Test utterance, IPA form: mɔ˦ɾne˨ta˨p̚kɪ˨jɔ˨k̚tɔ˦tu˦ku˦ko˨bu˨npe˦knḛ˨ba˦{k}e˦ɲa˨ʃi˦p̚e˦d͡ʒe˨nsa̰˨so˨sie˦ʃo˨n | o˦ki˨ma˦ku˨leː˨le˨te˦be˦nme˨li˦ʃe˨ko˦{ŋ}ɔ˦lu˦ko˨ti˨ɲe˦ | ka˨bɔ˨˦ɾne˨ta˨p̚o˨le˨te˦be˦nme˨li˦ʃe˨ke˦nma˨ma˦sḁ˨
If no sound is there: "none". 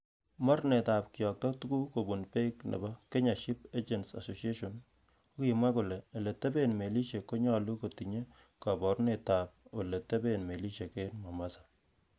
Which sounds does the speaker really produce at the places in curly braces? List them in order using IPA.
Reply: k, ɲ

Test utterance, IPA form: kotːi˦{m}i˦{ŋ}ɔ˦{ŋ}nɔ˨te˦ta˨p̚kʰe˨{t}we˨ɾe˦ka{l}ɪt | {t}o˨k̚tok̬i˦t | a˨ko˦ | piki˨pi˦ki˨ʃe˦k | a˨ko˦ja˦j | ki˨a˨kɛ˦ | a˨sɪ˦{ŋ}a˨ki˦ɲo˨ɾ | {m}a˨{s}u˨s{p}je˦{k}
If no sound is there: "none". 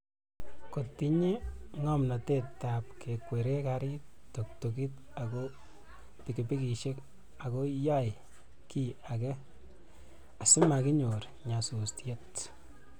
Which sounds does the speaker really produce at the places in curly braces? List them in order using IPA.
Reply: ɲ, ŋ, m, k, ɾ, t, m, ɲ, s, t, t

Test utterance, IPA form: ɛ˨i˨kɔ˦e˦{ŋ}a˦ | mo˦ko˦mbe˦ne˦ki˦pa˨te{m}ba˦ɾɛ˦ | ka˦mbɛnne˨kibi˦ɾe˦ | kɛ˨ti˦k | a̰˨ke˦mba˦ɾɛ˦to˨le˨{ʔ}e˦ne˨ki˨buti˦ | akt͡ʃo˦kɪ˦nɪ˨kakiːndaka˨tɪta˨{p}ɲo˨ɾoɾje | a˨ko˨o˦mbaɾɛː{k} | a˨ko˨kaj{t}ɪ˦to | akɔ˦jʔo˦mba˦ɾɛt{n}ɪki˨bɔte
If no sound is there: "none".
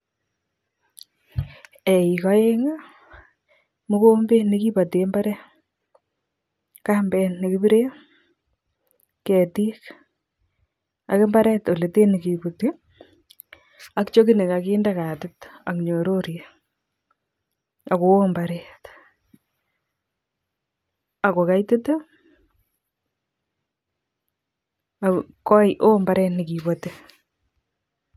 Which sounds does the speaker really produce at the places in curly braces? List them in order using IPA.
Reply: ŋ, m, t, k, t, t, n

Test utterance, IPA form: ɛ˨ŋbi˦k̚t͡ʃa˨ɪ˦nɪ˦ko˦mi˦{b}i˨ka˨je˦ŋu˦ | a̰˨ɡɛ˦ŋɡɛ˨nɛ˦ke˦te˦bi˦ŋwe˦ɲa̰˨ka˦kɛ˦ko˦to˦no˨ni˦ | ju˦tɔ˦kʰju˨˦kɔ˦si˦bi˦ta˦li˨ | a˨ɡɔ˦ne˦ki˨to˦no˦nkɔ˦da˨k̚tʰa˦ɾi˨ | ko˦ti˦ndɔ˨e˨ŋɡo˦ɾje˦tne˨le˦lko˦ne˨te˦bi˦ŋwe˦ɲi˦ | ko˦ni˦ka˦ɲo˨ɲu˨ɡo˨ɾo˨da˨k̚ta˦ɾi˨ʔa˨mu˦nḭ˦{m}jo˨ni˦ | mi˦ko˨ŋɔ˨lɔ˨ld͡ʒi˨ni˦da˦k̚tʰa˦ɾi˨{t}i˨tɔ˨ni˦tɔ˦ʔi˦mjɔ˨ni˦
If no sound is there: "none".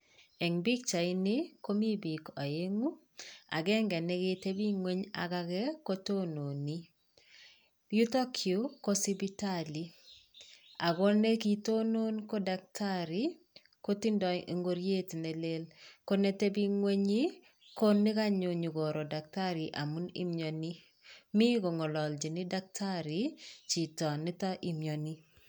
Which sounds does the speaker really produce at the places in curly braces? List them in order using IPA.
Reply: b, m, t͡ʃ

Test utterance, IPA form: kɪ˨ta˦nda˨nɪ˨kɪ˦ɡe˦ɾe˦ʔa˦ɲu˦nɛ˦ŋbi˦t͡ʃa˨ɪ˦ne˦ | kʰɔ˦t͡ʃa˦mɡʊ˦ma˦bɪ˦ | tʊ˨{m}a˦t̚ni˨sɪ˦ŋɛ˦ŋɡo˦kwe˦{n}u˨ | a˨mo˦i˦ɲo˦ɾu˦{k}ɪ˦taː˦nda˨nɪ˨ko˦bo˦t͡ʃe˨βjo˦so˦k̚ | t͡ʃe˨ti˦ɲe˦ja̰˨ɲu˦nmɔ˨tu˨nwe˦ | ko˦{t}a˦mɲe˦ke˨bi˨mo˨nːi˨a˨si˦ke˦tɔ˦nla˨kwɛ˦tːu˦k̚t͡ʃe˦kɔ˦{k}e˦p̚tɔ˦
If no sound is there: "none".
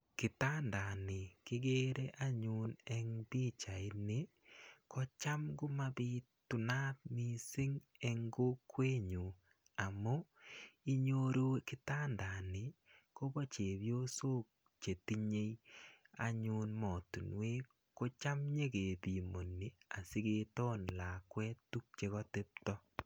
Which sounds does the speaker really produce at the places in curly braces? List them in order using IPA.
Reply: n, ɲ, k, t͡ʃ, t

